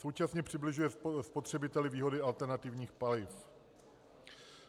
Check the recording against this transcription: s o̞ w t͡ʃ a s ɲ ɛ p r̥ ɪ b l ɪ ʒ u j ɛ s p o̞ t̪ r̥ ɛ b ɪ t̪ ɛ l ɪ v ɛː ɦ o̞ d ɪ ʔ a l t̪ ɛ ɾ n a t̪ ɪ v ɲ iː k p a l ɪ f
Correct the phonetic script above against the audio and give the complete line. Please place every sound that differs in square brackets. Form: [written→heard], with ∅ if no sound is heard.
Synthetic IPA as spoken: s o̞ w t͡ʃ a s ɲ ɛ p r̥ ɪ b l ɪ ʒ u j ɛ s p o̞ t̪ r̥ ɛ b ɪ t̪ ɛ l ɪ v [ɛː→iː] ɦ o̞ d ɪ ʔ a l t̪ ɛ ɾ n a t̪ ɪ v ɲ iː [k→x] p a l ɪ f